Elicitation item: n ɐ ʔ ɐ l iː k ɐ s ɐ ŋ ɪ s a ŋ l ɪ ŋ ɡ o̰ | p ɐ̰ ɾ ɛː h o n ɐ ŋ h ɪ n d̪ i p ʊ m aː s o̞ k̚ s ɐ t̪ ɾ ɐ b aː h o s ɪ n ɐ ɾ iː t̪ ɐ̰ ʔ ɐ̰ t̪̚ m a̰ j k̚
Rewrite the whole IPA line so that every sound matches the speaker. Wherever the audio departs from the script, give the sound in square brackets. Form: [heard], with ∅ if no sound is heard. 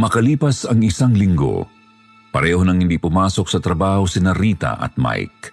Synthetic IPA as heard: [m] ɐ [k] ɐ l iː [p] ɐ s ɐ ŋ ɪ s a ŋ l ɪ ŋ ɡ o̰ | p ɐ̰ ɾ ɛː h o n ɐ ŋ h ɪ n d̪ i p ʊ m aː s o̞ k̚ s ɐ t̪ ɾ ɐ b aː h o s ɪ n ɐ ɾ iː t̪ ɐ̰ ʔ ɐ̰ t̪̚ m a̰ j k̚